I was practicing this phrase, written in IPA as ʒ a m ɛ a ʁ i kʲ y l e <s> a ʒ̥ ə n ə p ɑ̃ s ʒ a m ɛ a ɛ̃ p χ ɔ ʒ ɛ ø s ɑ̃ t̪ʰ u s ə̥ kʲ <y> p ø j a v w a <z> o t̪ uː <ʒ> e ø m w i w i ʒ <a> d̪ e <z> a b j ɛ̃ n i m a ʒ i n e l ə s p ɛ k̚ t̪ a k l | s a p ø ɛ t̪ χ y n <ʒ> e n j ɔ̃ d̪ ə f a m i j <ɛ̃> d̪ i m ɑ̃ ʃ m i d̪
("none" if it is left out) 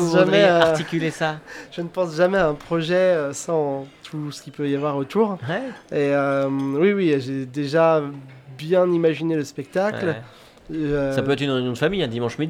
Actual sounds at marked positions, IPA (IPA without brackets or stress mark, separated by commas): s, i, ʁ, ʁ, e, ʒ, ʁ, ɛ̃